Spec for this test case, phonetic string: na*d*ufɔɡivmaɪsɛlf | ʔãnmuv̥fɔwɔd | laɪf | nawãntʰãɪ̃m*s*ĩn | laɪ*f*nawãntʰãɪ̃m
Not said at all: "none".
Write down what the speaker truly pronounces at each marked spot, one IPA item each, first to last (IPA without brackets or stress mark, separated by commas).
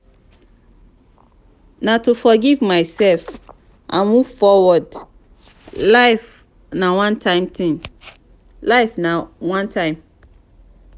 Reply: t, t, f